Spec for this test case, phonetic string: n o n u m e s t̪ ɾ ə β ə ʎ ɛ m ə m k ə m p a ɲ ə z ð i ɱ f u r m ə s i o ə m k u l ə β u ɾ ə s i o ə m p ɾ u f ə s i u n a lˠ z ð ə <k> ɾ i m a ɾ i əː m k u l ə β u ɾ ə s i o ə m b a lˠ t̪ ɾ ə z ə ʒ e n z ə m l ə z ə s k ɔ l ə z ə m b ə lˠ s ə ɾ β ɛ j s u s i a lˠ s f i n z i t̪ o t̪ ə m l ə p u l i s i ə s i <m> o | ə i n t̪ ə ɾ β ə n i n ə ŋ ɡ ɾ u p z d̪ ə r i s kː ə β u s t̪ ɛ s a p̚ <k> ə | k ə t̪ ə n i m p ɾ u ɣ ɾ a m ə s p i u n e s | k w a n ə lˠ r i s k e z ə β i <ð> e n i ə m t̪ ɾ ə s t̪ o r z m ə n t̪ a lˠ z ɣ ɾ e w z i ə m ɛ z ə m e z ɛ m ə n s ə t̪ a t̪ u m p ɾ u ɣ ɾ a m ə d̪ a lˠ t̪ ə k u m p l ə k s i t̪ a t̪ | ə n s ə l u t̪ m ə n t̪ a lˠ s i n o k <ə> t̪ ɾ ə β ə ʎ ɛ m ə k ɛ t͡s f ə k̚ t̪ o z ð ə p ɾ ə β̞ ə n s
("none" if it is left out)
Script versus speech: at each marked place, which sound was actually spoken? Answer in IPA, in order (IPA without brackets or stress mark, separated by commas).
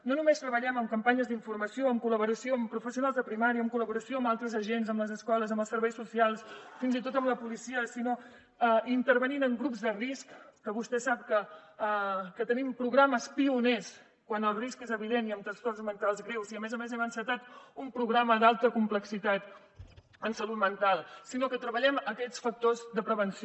p, n, k, ð, ə